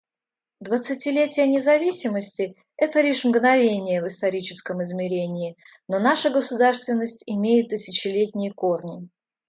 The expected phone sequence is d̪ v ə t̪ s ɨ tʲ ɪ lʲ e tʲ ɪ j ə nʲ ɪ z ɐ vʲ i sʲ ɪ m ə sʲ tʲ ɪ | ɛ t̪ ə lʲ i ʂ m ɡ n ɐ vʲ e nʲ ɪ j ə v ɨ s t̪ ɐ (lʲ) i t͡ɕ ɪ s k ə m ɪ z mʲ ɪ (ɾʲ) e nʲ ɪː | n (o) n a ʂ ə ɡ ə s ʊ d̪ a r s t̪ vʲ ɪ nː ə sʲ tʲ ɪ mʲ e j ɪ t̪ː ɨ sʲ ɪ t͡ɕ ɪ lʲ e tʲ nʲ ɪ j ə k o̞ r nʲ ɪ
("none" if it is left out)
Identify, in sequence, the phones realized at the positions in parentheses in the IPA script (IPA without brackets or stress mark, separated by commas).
ɾʲ, ɾʲ, o